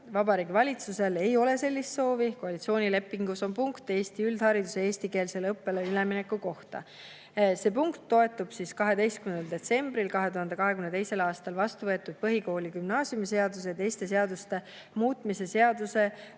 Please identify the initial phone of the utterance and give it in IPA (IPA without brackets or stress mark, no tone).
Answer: v